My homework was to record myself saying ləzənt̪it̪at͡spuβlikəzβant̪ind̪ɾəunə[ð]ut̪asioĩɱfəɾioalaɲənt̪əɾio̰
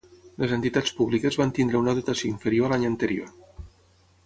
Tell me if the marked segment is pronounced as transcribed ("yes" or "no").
yes